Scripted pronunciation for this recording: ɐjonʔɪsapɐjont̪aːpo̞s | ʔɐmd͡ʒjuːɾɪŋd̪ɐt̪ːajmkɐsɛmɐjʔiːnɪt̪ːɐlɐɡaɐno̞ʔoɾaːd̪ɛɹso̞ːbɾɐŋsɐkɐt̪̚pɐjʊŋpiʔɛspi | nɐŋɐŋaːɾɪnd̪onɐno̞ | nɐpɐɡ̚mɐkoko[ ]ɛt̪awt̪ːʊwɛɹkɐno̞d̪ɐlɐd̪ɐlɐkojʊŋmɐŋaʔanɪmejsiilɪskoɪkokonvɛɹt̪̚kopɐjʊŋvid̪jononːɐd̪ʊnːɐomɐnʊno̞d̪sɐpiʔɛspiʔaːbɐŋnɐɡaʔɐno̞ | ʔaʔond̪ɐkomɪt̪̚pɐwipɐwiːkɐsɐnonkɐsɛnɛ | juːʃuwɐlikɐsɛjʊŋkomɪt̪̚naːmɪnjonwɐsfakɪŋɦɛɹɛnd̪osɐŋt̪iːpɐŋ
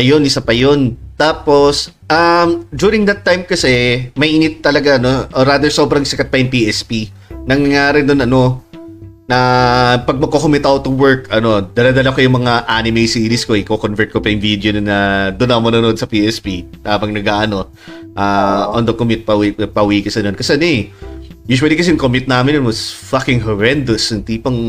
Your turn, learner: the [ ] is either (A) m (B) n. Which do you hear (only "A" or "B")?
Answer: A